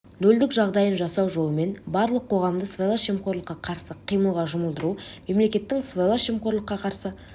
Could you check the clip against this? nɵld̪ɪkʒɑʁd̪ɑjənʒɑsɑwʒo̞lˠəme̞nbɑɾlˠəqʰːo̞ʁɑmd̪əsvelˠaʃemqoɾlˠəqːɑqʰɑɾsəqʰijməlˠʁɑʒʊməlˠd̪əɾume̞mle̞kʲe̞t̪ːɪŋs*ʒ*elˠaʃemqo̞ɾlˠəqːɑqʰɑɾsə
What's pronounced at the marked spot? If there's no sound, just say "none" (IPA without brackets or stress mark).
v